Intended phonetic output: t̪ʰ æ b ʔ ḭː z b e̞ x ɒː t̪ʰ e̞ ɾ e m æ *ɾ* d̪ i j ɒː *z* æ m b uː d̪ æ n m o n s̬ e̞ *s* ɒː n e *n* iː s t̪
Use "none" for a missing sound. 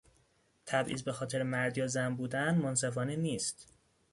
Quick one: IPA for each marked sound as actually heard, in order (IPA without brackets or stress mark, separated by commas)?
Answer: ɾ, z, f, n